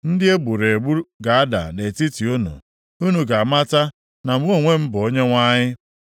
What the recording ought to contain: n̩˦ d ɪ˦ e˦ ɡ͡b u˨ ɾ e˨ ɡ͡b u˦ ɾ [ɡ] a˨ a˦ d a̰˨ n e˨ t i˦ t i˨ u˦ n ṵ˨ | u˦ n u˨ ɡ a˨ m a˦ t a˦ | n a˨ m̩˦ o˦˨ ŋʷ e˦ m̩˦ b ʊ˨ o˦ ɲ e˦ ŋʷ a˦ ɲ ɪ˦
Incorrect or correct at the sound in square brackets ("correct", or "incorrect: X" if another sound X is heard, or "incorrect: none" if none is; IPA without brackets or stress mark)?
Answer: correct